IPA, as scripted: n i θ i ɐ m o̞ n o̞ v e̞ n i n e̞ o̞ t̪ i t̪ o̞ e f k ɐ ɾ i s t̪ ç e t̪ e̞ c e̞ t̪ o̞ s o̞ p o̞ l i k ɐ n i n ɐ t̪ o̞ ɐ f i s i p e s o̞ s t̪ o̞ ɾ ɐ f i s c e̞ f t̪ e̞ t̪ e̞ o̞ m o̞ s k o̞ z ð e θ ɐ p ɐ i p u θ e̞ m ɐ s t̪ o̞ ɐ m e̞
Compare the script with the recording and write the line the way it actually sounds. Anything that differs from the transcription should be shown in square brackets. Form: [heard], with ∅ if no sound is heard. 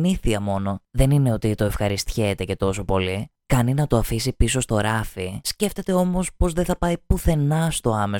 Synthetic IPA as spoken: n i θ i ɐ m o̞ n o̞ [ð] e̞ n i n e̞ o̞ t̪ i t̪ o̞ e f [x] ɐ ɾ i s t̪ ç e t̪ e̞ c e̞ t̪ o̞ s o̞ p o̞ l i k ɐ n i n ɐ t̪ o̞ ɐ f i s i p [i] s o̞ s t̪ o̞ ɾ ɐ f i s c e̞ f t̪ e̞ t̪ e̞ o̞ m o̞ s [p] o̞ z ð e θ ɐ p ɐ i p u θ e̞ [n] ɐ s t̪ o̞ ɐ m e̞